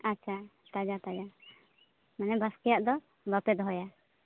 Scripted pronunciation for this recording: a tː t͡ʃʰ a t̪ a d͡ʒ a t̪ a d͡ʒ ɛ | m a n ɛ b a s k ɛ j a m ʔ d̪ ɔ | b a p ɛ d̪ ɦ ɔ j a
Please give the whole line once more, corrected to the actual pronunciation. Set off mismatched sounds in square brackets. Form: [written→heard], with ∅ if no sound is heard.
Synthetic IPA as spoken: a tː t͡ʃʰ a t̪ a d͡ʒ a t̪ a d͡ʒ [ɛ→a] | m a n ɛ b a s k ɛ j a [m→∅] ʔ d̪ ɔ | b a p ɛ d̪ ɦ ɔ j a